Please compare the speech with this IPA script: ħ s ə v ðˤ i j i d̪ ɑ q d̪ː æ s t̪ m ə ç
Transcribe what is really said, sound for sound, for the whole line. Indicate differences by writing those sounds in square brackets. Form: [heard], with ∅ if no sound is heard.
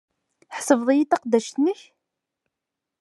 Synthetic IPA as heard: ħ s ə v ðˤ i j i [t̪] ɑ q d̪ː æ [ʃ] t̪ [n] ə ç